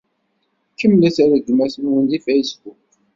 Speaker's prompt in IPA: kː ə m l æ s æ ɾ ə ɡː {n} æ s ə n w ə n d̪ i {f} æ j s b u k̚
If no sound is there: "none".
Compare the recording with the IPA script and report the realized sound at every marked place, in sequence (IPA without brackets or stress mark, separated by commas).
m, f